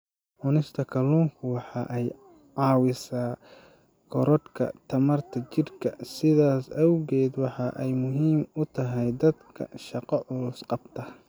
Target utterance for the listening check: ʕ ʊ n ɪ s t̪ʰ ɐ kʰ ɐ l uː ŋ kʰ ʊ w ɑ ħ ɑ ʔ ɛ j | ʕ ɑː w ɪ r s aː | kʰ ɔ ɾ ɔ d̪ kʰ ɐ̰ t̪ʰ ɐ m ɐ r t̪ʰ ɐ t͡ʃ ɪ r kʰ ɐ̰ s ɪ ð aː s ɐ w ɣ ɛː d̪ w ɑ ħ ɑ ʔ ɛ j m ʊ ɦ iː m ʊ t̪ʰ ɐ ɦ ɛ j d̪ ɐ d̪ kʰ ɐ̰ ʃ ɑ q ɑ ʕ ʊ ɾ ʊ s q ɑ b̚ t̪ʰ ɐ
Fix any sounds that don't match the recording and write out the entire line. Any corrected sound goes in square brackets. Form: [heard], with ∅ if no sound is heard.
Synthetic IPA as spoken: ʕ ʊ n ɪ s t̪ʰ ɐ kʰ ɐ l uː ŋ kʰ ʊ w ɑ ħ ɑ ʔ ɛ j | ʕ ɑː w ɪ [∅] s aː | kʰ ɔ ɾ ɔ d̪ kʰ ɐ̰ t̪ʰ ɐ m ɐ r t̪ʰ ɐ t͡ʃ ɪ r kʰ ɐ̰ s ɪ ð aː s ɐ w ɣ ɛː d̪ w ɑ ħ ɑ ʔ ɛ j m ʊ ɦ iː m ʊ t̪ʰ ɐ ɦ ɛ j d̪ ɐ d̪ kʰ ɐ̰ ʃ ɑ q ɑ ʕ ʊ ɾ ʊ s q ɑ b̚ t̪ʰ ɐ